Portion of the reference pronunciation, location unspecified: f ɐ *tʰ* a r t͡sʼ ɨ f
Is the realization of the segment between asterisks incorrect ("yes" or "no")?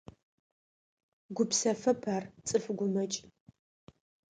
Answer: yes